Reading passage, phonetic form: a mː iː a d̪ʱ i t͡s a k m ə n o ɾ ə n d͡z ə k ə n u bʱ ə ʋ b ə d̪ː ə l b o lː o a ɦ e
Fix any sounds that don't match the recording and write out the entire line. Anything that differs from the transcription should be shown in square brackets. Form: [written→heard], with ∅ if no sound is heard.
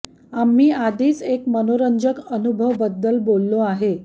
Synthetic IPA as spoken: a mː iː a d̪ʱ [i→iː] t͡s [a→e] k m ə n o ɾ ə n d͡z ə k ə n u bʱ ə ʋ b ə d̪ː ə l b o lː o a ɦ e